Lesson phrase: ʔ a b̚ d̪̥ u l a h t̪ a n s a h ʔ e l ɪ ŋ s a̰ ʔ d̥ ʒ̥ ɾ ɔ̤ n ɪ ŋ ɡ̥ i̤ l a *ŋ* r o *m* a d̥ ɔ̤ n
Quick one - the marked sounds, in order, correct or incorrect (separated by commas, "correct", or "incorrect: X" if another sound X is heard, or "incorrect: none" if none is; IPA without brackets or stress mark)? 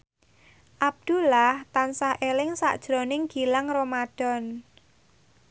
correct, correct